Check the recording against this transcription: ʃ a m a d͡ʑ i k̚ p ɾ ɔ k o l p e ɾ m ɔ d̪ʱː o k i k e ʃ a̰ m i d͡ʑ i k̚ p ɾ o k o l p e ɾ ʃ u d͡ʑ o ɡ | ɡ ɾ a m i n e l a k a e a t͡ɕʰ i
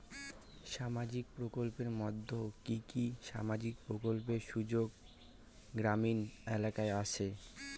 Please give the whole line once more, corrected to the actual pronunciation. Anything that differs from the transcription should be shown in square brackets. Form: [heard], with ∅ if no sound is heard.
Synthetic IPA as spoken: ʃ a m a d͡ʑ i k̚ p ɾ [o] k o l p e ɾ m ɔ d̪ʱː o k i k [i] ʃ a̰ m [a] d͡ʑ i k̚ p ɾ o k o l p e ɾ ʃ u d͡ʑ o ɡ | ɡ ɾ a m i n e l a k a e a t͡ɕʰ [e]

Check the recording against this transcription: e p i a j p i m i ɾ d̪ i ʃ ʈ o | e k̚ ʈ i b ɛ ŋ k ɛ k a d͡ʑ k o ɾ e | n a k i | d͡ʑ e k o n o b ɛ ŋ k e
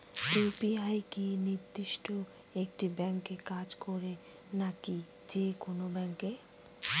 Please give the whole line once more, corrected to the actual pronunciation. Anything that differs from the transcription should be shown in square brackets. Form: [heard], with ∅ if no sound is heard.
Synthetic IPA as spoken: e p i a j [k] i [n] i ɾ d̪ i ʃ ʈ o | e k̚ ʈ i b ɛ ŋ k [e] k a d͡ʑ k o ɾ e | n a k i | d͡ʑ e k o n o b ɛ ŋ k e

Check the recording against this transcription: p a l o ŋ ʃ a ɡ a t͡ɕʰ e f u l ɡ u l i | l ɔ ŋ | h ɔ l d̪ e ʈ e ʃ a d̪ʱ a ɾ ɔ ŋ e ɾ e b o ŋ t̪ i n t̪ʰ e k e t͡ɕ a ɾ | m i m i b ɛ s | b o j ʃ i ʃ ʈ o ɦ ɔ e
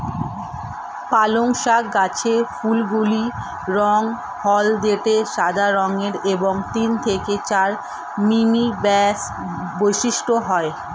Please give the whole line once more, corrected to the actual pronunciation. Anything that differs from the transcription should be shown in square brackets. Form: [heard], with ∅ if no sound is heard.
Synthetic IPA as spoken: p a l o ŋ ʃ a ɡ a t͡ɕʰ e f u l ɡ u l i | [ɾ] ɔ ŋ | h ɔ l d̪ e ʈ e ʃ a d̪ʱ a ɾ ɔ ŋ e ɾ e b o ŋ t̪ i n t̪ʰ e k e t͡ɕ a ɾ | m i m i b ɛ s | b o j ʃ i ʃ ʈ o ɦ ɔ e

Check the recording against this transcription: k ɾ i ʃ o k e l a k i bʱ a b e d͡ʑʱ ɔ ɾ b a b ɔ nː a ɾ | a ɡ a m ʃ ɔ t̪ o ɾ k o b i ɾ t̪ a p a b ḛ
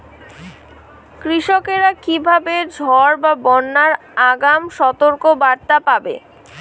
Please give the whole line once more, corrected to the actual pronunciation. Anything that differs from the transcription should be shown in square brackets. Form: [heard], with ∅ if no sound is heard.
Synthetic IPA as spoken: k ɾ i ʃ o k e [ɾ] a k i bʱ a b e d͡ʑʱ ɔ ɾ b a b ɔ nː a ɾ | a ɡ a m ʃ ɔ t̪ o ɾ k o b [a] ɾ t̪ a p a b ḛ

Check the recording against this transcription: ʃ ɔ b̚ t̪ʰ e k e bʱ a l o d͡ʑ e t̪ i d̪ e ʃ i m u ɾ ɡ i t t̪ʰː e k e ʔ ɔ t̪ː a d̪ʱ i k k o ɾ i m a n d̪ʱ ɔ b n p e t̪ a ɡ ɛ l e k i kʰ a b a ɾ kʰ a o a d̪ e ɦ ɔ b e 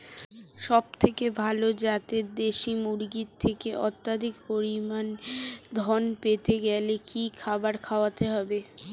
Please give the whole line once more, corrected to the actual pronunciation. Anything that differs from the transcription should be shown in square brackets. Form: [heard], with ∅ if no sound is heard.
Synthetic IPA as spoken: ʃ ɔ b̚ t̪ʰ e k e bʱ a l o d͡ʑ [a] t̪ [e] d̪ e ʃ i m u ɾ ɡ i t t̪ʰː e k e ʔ ɔ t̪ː a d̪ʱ i k [p] o ɾ i m a n d̪ʱ ɔ [∅] n p e t̪ [e] ɡ ɛ l e k i kʰ a b a ɾ kʰ a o a [t̪] e ɦ ɔ b e

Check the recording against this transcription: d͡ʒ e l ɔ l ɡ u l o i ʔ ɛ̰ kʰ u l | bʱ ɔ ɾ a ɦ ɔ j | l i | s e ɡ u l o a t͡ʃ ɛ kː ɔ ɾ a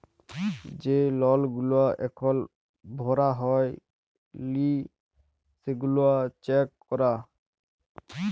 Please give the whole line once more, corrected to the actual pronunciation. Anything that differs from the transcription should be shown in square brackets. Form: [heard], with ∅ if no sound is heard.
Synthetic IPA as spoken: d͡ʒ e l ɔ l ɡ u l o [a] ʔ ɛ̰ kʰ [ɔ] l | bʱ ɔ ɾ a ɦ ɔ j | l i | s e ɡ u l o a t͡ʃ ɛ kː ɔ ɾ a

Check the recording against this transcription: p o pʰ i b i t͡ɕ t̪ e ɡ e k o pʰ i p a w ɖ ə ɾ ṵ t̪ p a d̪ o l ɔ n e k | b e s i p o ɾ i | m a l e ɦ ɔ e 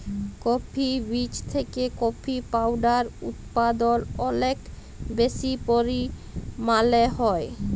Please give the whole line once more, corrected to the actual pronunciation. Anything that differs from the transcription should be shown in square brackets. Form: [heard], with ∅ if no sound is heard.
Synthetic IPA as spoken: [k] o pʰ i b i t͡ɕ [t̪ʰ] e [k] e k o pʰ i p a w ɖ [a] ɾ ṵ t̪ p a d̪ o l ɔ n e k | b e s i p o ɾ i | m a l e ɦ ɔ e

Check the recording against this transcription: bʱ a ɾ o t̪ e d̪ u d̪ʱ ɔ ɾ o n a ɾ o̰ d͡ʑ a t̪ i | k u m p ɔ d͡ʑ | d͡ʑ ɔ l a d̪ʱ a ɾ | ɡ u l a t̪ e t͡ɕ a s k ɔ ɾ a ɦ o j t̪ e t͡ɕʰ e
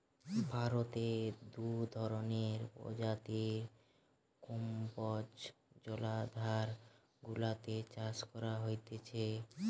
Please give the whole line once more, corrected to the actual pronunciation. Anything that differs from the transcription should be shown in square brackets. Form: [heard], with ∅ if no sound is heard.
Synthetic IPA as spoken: bʱ a ɾ o t̪ e d̪ u d̪ʱ ɔ ɾ o n [e] ɾ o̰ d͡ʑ a t̪ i | k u m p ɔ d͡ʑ | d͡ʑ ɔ l a d̪ʱ a ɾ | ɡ u l a t̪ e t͡ɕ a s k ɔ ɾ a ɦ o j t̪ e t͡ɕʰ e

